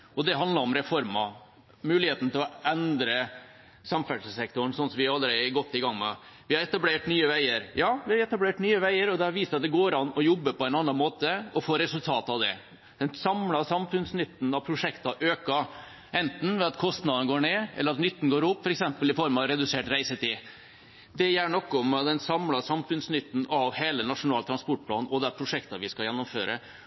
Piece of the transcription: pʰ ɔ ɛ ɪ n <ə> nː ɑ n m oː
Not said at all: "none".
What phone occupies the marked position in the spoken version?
ɑ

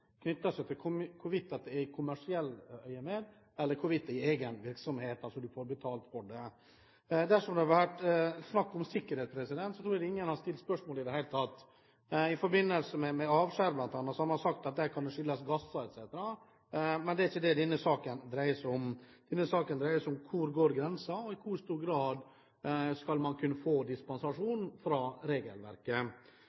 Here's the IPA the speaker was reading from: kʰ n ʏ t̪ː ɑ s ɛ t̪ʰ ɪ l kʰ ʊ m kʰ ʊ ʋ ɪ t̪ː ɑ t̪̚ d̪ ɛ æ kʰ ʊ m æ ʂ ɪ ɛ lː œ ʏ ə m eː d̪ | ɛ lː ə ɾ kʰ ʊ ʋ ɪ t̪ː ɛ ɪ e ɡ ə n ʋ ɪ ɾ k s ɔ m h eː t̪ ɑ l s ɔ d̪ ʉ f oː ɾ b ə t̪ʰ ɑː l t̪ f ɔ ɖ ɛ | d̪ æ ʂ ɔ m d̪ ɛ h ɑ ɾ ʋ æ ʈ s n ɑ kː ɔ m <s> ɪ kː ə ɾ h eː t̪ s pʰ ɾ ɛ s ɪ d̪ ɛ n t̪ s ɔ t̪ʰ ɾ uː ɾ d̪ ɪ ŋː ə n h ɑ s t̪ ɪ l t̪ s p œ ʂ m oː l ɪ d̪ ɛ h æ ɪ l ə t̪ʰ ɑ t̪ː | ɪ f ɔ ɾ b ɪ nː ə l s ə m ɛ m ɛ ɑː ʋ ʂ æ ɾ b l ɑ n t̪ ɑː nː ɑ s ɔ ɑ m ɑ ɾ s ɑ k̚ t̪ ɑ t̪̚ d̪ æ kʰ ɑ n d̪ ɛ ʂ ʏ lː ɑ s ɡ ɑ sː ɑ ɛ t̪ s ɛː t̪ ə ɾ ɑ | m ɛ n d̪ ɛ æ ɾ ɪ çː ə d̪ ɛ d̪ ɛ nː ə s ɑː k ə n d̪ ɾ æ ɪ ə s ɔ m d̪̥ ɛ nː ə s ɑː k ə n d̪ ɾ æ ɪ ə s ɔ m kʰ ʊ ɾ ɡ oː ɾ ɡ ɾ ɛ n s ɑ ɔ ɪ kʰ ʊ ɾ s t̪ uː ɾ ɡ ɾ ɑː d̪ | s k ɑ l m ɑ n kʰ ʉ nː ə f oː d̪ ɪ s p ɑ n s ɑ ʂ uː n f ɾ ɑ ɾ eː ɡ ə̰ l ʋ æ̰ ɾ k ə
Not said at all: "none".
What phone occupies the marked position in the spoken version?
s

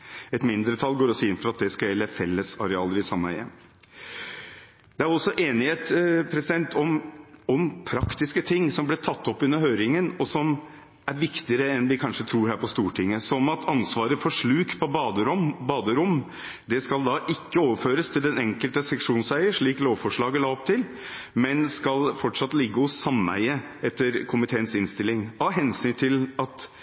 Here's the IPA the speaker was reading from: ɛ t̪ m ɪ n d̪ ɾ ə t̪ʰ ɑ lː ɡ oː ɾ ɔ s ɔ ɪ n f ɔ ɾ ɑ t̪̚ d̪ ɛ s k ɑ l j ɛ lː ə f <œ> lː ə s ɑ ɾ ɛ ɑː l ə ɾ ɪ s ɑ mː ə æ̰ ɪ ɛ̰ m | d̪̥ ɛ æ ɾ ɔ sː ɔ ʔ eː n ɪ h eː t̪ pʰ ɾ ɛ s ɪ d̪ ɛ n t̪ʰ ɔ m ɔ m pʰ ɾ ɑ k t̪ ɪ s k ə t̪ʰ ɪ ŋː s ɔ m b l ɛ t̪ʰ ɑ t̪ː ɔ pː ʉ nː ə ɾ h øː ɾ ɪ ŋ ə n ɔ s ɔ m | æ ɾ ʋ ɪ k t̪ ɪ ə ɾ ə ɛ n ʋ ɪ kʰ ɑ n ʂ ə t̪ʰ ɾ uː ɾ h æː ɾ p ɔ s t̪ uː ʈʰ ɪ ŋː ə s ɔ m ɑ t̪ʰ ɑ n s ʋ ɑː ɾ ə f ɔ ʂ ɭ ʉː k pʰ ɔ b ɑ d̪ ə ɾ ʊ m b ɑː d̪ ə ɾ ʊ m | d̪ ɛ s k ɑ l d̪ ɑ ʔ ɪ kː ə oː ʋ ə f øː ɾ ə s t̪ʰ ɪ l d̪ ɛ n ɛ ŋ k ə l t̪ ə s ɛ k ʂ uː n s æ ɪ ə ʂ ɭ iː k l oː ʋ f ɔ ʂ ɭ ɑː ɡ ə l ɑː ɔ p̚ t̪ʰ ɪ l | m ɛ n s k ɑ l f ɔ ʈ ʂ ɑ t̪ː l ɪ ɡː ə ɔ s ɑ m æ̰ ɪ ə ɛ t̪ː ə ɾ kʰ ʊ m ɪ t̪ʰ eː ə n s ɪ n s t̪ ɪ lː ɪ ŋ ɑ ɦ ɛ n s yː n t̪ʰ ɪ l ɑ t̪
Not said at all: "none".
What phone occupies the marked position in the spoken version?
ɛ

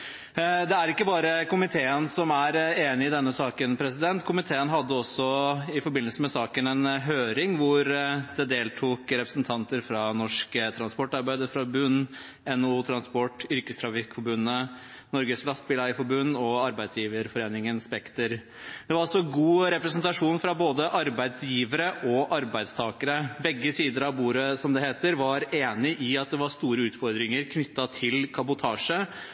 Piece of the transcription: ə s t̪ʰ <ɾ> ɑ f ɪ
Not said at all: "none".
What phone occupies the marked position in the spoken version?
ɾ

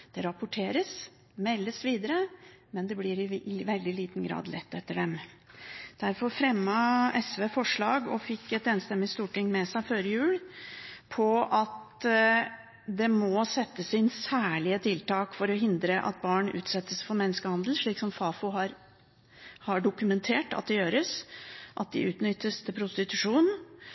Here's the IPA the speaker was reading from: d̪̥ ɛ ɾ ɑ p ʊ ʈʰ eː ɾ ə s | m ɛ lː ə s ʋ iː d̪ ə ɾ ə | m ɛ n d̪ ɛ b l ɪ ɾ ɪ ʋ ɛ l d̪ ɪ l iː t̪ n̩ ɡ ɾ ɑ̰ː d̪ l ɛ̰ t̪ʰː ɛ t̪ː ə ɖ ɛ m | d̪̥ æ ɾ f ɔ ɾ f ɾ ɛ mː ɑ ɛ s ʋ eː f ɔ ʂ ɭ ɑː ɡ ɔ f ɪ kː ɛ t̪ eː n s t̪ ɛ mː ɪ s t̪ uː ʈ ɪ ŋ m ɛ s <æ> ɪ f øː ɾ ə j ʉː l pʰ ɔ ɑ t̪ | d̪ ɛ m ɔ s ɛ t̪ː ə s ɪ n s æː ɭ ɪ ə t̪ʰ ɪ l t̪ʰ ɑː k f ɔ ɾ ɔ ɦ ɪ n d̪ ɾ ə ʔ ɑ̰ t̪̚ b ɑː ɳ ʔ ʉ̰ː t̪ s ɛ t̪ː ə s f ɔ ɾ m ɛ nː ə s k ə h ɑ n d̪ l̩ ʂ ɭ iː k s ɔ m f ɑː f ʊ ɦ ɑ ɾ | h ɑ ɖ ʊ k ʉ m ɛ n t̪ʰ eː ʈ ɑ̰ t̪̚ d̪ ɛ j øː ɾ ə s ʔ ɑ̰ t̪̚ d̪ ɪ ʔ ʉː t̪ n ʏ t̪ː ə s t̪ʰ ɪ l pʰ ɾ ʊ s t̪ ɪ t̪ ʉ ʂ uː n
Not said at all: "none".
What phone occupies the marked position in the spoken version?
æ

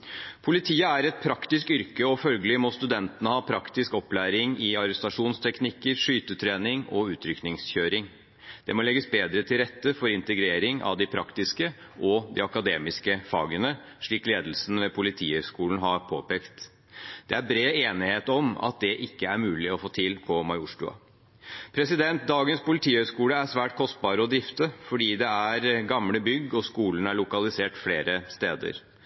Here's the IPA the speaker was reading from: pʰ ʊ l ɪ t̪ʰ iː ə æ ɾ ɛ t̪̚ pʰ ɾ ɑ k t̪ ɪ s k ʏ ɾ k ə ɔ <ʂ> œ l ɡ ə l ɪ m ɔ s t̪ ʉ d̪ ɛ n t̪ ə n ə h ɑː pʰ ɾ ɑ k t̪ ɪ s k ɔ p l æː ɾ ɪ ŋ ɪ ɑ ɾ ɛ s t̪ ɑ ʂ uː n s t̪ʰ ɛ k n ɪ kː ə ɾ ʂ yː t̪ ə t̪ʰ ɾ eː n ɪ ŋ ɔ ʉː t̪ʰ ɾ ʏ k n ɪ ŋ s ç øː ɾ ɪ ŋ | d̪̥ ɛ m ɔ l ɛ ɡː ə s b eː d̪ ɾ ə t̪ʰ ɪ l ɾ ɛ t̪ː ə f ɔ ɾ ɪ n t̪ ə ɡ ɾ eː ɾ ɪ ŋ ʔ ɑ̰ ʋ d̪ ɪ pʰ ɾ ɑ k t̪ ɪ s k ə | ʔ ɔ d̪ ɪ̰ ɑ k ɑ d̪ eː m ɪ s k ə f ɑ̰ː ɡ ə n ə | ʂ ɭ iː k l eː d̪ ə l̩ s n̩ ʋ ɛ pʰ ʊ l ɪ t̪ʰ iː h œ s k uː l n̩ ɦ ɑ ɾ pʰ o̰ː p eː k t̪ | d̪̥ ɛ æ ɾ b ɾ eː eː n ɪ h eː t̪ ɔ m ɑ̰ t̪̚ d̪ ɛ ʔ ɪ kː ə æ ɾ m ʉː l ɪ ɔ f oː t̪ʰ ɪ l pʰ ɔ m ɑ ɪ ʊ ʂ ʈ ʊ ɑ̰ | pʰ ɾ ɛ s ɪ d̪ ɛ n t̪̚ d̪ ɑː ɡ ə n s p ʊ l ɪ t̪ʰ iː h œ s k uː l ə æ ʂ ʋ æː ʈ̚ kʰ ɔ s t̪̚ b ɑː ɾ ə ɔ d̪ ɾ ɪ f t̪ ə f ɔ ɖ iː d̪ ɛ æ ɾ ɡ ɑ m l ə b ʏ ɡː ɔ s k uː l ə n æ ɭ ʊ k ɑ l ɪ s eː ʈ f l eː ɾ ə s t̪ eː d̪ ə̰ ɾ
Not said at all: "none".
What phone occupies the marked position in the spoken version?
f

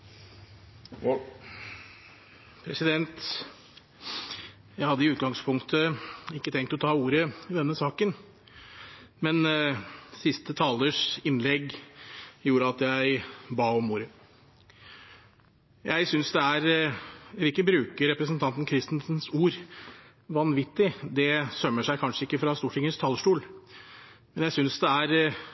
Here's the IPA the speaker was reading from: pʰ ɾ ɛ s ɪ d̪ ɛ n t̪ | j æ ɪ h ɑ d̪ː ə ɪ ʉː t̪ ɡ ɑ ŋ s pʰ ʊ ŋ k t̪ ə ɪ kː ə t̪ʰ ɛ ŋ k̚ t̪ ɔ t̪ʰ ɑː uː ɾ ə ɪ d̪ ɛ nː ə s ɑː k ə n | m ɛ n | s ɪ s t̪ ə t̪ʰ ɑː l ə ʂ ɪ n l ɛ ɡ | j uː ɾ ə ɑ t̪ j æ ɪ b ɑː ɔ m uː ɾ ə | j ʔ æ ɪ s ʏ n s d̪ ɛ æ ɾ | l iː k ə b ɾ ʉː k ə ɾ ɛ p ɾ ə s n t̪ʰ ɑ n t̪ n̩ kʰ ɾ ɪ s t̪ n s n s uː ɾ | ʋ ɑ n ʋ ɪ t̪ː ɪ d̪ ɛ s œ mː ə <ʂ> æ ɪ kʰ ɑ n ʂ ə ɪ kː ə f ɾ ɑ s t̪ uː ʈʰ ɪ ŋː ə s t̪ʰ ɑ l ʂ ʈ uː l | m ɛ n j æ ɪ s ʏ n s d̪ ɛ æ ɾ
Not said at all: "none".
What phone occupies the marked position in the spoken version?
ʂ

